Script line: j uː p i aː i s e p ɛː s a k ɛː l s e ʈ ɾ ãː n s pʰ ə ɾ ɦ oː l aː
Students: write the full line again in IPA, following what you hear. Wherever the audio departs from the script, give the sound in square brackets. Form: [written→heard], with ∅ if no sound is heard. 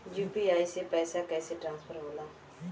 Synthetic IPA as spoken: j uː p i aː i s e p ɛː s a k ɛː [l→∅] s e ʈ ɾ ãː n s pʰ ə ɾ ɦ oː l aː